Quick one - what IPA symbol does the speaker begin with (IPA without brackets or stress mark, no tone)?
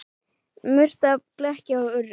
m